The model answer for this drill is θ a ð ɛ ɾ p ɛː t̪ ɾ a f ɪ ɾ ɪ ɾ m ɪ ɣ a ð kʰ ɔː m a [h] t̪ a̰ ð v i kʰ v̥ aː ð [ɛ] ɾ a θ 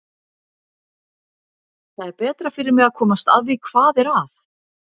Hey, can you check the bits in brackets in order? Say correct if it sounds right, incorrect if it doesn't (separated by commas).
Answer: incorrect, correct